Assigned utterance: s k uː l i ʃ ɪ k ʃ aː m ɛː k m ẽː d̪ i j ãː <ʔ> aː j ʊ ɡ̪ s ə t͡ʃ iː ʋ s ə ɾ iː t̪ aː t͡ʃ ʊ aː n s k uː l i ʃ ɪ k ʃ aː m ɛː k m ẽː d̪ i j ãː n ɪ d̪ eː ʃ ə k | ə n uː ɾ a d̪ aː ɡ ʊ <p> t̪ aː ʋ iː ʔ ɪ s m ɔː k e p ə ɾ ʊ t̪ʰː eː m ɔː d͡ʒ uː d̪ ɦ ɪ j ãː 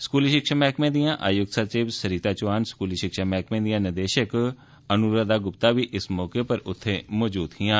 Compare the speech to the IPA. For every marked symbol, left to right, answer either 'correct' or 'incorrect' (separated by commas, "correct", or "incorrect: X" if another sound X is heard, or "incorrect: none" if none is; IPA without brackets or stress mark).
correct, correct